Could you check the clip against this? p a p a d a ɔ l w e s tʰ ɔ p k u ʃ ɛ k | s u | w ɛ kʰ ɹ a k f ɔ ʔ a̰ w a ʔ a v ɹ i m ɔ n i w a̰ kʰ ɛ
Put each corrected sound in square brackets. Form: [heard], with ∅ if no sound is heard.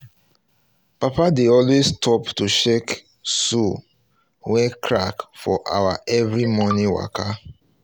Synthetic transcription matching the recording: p a p a d [e] ɔ l w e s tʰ ɔ p [t] u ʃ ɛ k | s u | w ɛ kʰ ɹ a k f ɔ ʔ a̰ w a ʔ [ɛ] v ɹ i m ɔ n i w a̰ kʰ [a]